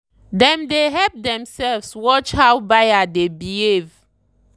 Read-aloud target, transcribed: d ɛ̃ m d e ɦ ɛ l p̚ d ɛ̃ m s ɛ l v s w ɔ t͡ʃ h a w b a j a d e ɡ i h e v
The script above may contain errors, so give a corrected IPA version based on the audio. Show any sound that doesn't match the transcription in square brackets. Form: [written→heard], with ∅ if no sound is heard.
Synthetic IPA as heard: d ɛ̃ m d e ɦ ɛ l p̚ d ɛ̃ m s ɛ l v s w ɔ t͡ʃ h a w b a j a d e [ɡ→b] i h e v